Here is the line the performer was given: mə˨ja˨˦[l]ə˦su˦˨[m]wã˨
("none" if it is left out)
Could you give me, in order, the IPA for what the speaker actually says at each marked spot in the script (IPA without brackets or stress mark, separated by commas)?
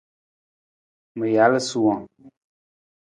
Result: l, none